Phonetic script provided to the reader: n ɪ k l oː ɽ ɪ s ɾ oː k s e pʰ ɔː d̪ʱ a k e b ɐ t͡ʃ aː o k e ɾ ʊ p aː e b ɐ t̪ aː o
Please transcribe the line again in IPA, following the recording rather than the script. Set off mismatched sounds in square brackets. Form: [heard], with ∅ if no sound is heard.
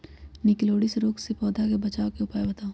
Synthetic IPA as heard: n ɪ k l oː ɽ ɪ s ɾ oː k s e [p] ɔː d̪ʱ a k e b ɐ t͡ʃ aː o k e [∅] ʊ p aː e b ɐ t̪ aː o